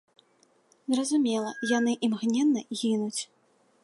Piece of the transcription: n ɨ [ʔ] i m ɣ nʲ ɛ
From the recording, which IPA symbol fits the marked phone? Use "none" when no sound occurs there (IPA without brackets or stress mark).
ʔ